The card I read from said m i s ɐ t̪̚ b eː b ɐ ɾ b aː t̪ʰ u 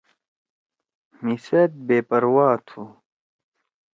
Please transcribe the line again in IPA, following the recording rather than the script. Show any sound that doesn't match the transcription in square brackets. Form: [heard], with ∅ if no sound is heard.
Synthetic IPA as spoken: m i s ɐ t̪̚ b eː [p] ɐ ɾ [w] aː t̪ʰ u